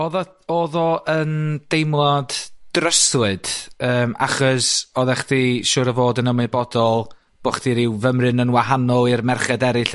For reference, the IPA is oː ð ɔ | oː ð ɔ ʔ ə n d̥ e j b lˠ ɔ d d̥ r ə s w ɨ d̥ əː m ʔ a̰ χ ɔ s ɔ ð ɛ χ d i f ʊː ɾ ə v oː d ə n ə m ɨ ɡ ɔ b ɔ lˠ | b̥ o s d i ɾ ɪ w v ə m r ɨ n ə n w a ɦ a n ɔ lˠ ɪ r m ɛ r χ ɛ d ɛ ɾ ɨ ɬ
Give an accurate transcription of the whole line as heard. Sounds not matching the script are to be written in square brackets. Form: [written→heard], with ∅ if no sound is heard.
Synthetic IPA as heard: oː ð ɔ | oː ð ɔ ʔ ə n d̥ e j [b→m] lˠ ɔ d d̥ r ə s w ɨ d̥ əː m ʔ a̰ χ ɔ s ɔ ð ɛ χ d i [f→ʃ] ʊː ɾ ə v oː d ə n ə m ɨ [ɡ→b] ɔ [b→d] ɔ lˠ | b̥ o [s→χ] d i ɾ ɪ w v ə m r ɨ n ə n w a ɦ a n ɔ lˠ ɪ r m ɛ r χ ɛ d ɛ ɾ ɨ ɬ